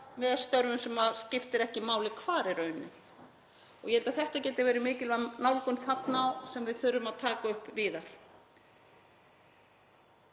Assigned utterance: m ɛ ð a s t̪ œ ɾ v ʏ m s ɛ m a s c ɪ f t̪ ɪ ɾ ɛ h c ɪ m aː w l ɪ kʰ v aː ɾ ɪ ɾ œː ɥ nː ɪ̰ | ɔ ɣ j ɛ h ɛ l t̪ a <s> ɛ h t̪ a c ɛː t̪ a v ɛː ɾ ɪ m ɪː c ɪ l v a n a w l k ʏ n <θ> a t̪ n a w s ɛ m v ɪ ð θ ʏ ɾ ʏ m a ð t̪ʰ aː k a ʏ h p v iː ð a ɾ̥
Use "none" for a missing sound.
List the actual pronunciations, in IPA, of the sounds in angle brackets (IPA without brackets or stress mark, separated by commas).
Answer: θ, θ